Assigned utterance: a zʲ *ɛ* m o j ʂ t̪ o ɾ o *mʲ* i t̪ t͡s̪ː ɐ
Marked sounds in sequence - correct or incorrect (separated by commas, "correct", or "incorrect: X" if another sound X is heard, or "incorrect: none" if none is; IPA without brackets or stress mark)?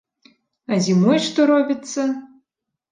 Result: incorrect: i, incorrect: bʲ